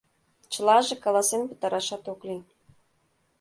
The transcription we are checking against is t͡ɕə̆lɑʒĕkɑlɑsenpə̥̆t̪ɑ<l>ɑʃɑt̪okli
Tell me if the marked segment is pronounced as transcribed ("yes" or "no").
no